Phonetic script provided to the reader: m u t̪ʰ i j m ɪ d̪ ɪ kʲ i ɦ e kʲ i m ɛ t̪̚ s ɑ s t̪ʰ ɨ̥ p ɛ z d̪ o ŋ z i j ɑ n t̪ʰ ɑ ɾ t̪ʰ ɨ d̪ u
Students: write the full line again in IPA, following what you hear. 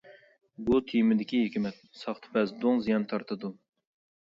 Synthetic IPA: b u t̪ʰ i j m ɪ d̪ ɪ kʲ i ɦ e kʲ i m ɛ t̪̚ s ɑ χ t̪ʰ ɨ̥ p ɛ z d̪ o ŋ z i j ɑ n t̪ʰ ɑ ɾ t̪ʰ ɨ d̪ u